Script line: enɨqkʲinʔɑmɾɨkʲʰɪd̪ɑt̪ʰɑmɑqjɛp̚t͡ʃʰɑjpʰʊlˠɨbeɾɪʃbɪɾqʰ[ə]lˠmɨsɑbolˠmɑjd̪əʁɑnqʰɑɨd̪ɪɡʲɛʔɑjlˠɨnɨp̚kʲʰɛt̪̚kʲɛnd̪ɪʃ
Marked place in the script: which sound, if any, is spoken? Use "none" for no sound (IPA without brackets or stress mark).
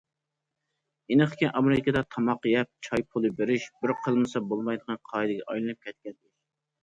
ə